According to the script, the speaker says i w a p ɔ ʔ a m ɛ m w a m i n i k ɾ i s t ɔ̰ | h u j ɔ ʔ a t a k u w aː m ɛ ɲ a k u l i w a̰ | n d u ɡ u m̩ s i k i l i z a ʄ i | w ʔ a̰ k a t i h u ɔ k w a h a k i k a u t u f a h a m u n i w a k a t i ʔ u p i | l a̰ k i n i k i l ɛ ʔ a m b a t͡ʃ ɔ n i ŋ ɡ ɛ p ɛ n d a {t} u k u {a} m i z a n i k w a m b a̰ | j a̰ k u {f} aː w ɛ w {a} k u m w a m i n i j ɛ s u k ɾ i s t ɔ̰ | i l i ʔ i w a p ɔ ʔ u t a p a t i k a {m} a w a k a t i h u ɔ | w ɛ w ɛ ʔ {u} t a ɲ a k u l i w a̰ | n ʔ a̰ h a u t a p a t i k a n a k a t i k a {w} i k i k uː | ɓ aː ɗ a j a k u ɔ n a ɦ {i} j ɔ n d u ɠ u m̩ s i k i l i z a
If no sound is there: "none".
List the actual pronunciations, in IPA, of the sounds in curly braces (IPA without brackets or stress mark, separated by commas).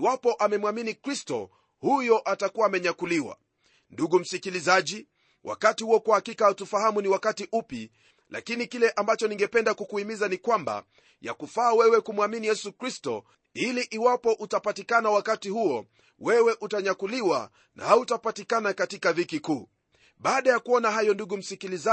k, i, f, ɛ, n, u, v, a